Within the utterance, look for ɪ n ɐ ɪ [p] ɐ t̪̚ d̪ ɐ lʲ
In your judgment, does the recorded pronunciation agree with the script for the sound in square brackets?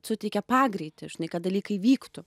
no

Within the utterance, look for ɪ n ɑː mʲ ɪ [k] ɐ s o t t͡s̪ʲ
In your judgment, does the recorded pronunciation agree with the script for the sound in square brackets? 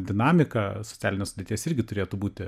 yes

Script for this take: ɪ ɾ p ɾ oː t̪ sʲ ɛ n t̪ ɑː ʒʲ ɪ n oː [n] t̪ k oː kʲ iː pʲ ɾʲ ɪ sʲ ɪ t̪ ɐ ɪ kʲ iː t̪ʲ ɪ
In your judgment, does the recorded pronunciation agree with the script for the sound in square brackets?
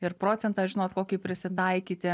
no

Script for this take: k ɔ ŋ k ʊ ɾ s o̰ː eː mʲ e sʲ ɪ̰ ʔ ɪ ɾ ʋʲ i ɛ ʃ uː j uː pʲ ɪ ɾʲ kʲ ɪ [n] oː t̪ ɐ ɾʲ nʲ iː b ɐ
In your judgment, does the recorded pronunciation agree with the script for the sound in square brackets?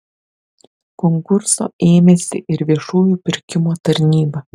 no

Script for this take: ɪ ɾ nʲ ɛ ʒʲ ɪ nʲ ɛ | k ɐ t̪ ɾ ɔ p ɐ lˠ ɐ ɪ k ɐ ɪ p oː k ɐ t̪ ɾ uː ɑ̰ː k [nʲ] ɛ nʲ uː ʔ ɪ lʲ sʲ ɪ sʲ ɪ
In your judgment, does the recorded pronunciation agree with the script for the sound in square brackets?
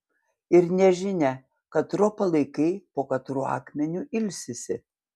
no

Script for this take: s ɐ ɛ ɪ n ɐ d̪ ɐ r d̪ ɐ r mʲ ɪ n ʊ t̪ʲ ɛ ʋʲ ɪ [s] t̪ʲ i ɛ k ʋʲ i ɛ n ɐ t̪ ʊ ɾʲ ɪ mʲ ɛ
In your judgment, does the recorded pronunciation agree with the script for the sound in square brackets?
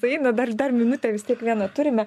yes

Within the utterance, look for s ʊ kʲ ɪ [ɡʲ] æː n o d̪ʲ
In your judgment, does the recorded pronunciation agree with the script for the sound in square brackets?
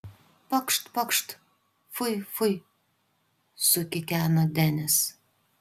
no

